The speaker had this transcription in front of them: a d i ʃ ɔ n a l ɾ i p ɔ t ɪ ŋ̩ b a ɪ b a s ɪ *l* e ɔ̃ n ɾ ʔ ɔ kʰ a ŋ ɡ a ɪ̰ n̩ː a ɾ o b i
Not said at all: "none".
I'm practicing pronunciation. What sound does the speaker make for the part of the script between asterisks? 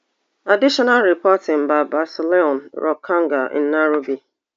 l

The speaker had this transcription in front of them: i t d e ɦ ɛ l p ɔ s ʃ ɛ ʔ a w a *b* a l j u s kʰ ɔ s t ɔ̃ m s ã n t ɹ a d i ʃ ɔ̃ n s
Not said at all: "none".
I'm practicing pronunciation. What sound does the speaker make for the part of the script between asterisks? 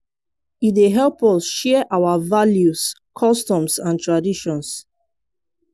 v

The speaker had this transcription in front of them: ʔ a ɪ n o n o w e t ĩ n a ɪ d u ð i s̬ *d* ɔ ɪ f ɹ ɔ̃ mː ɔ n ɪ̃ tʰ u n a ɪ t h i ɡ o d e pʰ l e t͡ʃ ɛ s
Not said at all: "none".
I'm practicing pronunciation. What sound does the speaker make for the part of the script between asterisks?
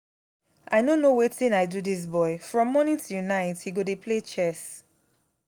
b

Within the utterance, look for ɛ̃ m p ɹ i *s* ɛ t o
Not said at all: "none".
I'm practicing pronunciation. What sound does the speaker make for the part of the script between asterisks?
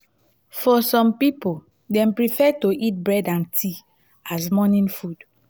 f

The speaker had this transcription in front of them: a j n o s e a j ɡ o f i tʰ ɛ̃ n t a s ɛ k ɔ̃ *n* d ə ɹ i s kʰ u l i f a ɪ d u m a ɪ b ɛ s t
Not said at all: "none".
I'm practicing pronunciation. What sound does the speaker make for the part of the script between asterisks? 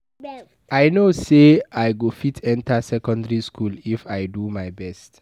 n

